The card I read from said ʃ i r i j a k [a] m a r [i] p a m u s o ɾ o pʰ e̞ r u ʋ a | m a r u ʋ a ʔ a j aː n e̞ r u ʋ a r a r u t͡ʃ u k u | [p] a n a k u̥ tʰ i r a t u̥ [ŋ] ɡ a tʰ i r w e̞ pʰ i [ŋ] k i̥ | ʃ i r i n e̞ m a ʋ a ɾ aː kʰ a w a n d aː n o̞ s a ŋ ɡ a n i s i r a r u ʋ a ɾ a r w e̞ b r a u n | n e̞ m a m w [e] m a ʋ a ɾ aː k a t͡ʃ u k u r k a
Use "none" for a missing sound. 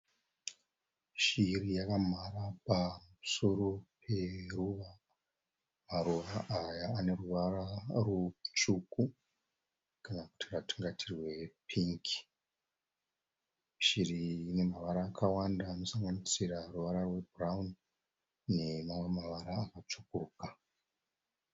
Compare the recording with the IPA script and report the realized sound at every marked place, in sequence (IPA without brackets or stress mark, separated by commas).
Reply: a, a, k, ŋ, ŋ, e